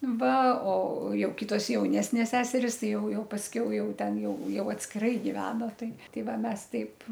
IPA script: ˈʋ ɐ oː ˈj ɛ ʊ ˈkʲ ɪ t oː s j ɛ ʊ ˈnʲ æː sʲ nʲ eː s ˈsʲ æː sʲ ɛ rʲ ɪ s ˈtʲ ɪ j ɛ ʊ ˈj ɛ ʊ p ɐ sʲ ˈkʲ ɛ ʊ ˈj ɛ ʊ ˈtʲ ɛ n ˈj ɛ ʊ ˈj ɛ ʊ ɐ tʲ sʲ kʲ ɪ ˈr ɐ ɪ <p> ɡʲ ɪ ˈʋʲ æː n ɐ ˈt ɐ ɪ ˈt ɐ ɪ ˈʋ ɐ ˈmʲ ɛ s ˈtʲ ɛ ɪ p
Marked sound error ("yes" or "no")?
yes